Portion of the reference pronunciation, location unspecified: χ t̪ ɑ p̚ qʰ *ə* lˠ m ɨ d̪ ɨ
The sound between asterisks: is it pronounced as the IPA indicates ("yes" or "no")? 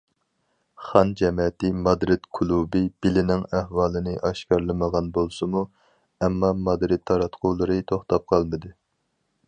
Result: no